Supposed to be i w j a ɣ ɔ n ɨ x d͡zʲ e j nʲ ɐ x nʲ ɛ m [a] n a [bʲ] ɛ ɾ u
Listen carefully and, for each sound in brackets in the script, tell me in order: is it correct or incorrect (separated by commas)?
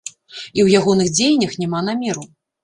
correct, incorrect